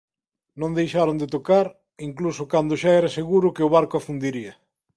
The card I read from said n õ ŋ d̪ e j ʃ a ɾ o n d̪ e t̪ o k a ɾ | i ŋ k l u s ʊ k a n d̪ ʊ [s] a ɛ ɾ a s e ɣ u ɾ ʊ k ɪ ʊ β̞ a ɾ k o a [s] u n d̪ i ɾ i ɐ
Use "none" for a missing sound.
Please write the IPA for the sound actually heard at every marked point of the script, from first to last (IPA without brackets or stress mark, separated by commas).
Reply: ʃ, f